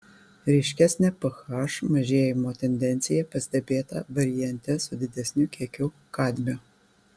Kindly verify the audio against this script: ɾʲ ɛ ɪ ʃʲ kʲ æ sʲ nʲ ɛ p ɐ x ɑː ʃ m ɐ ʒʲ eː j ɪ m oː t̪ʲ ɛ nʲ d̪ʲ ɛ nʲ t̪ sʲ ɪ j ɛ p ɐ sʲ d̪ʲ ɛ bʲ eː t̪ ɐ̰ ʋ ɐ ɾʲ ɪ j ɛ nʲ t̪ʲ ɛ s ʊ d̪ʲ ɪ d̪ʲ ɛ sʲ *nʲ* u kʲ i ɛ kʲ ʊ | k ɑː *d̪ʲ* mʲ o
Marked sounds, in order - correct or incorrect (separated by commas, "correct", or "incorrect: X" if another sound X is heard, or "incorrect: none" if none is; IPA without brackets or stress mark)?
correct, correct